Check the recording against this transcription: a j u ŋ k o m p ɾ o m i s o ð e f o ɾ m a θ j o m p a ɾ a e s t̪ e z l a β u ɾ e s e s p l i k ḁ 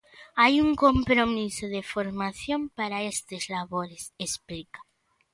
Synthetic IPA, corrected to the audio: a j u ŋ k o m p ɾ o m i s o ð e f o ɾ m a θ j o m p a ɾ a e s t̪ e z l a β o ɾ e s e s p l i k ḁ

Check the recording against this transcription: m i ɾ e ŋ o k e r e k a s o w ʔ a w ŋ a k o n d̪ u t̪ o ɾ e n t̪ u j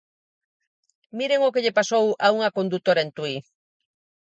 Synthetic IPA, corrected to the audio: m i ɾ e ŋ o k e ʎ e p a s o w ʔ a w ŋ a k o n d̪ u t̪ o ɾ e n t̪ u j

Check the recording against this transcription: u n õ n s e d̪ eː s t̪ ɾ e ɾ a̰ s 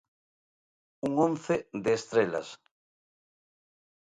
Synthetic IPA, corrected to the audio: u ŋ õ n θ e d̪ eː s t̪ ɾ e l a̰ s

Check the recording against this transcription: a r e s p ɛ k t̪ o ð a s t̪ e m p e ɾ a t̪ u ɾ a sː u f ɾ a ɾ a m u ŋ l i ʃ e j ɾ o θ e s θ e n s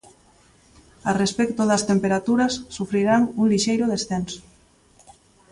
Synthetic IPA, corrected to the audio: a r e s p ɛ k t̪ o ð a s t̪ e m p e ɾ a t̪ u ɾ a sː u f ɾ i ɾ a ŋ u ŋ l i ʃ e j ɾ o ð e s θ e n s

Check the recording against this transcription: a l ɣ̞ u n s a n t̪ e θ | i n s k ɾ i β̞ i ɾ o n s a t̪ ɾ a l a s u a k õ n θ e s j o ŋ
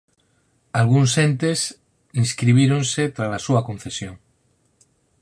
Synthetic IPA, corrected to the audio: a l ɣ̞ u n s e n t̪ e s | i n s k ɾ i β̞ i ɾ o n s e t̪ ɾ a l a s u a k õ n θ e s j o ŋ

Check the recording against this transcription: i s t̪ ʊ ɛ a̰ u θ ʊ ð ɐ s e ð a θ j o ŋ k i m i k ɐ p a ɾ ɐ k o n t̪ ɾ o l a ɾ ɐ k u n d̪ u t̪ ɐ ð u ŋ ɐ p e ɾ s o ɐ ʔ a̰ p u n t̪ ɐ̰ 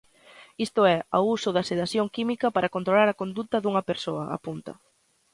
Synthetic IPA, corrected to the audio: i s t̪ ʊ ɛ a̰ u s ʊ ð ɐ s e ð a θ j o ŋ k i m i k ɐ p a ɾ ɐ k o n t̪ ɾ o l a ɾ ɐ k o n d̪ u t̪ ɐ ð u ŋ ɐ p e ɾ s o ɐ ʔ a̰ p u n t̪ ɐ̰

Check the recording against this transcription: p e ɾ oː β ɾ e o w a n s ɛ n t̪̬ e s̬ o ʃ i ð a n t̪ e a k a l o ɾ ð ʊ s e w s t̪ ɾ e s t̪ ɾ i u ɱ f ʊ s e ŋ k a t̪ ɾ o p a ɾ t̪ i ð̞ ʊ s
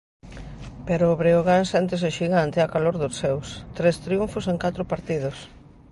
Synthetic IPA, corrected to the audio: p e ɾ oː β ɾ e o ɣ a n s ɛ n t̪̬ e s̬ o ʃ i ɣ a n t̪ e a k a l o ɾ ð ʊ s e w s t̪ ɾ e s t̪ ɾ i u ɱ f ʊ s e ŋ k a t̪ ɾ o p a ɾ t̪ i ð̞ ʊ s

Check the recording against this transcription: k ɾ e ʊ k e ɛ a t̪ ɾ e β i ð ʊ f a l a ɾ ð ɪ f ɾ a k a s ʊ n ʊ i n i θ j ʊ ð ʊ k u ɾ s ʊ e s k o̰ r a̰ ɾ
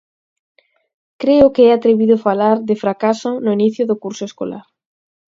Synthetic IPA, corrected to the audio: k ɾ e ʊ k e ɛ a t̪ ɾ e β i ð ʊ f a l a ɾ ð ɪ f ɾ a k a s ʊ n ʊ i n i θ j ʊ ð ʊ k u ɾ s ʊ e s k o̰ l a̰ ɾ

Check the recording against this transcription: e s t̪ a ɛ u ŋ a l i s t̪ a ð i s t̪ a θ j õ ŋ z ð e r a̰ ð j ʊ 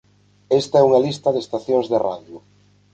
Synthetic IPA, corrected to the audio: e s t̪ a ɛ u ŋ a l i s t̪ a ð e s t̪ a θ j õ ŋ z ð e r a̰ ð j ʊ

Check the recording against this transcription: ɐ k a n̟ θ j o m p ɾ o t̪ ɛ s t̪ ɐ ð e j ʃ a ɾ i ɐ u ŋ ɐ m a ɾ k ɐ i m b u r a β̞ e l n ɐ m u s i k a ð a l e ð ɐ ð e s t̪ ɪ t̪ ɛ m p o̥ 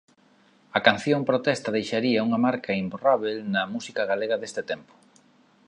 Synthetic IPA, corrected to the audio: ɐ k a n̟ θ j o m p ɾ o t̪ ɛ s t̪ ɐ ð e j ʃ a ɾ i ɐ u ŋ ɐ m a ɾ k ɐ i m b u r a β̞ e l n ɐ m u s i k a ɣ a l e ɣ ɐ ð e s t̪ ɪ t̪ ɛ m p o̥

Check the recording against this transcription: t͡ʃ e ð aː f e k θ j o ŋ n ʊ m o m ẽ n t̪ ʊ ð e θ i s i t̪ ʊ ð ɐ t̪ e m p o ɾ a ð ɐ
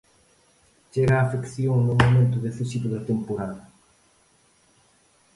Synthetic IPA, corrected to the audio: t͡ʃ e ɣ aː f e k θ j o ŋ n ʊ m o m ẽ n t̪ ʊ ð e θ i s i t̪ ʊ ð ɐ t̪ e m p o ɾ a ð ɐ

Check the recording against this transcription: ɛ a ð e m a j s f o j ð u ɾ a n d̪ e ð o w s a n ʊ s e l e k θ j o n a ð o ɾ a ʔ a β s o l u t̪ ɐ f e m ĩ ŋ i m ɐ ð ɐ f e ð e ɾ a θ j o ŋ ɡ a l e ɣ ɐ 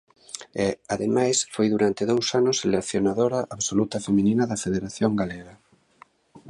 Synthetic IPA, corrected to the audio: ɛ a ð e m a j s f o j ð u ɾ a n t̪ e ð o w s a n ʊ s e l e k θ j o n a ð o ɾ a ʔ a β s o l u t̪ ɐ f e m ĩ n i n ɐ ð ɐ f e ð e ɾ a θ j o ŋ ɡ a l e ɣ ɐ

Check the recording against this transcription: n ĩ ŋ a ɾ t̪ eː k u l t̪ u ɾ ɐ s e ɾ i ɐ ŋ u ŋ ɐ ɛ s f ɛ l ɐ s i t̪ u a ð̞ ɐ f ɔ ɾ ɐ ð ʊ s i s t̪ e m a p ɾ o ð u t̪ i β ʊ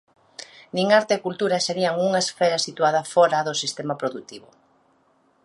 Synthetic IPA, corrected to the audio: n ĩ ŋ a ɾ t̪ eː k u l t̪ u ɾ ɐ s e ɾ i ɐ ŋ u ŋ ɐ e s f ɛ ɾ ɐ s i t̪ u a ð̞ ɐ f ɔ ɾ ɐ ð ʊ s i s t̪ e m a p ɾ o ð u t̪ i β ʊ

